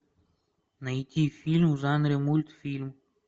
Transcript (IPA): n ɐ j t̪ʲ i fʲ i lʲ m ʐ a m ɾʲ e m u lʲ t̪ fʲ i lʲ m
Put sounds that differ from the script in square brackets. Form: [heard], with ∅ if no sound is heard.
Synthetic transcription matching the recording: n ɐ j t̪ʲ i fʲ i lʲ m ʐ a [n] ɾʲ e m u lʲ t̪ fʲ i lʲ m